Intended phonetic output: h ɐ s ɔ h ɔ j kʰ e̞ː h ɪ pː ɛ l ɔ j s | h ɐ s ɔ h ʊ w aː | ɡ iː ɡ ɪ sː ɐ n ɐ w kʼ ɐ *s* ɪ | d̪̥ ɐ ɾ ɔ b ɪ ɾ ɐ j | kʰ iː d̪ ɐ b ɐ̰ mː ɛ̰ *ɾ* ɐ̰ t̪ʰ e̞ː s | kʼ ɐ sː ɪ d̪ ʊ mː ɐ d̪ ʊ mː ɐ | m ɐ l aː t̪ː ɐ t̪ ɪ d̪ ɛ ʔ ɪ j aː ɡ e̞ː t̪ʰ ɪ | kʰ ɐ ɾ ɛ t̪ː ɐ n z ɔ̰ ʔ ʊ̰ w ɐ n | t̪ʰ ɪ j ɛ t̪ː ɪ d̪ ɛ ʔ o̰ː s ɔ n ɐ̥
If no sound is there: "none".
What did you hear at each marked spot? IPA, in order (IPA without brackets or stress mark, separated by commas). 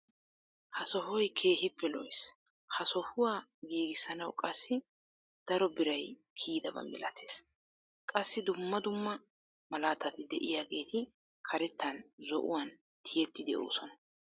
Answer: sː, l